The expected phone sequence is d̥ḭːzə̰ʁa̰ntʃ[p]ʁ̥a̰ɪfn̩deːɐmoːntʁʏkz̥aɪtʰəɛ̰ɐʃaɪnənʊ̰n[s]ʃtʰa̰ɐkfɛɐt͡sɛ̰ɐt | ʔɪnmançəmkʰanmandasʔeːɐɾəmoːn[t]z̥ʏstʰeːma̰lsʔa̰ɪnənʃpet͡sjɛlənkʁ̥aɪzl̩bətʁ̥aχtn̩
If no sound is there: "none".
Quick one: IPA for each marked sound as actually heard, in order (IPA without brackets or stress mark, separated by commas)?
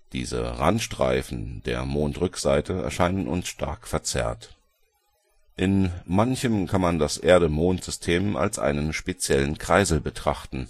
t, s, t